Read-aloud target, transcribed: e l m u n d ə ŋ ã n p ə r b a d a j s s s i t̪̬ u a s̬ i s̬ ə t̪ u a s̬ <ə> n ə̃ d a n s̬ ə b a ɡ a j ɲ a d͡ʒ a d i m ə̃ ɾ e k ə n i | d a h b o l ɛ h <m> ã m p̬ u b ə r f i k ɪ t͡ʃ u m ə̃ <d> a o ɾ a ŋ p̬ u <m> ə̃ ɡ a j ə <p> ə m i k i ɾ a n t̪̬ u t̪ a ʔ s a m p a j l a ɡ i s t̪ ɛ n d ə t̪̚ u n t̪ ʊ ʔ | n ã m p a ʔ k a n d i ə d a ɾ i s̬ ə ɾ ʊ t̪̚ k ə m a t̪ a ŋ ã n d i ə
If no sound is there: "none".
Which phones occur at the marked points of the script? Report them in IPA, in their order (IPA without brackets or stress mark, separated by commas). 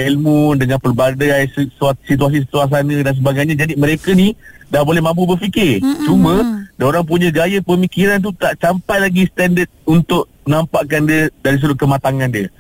a, m, d, ɲ, p